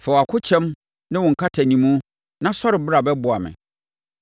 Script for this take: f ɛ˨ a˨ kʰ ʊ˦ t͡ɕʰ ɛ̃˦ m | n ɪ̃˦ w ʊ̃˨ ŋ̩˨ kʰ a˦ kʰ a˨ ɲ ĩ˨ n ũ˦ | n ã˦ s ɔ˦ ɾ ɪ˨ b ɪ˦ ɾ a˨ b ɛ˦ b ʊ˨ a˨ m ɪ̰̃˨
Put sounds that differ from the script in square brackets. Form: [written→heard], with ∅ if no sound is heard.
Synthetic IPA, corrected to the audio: f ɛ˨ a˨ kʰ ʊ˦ t͡ɕʰ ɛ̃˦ m | n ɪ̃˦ w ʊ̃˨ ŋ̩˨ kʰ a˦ [kʰ→tʰ] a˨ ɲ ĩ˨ [n→m] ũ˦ | n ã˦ s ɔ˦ ɾ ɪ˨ b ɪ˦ ɾ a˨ b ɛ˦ b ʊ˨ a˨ m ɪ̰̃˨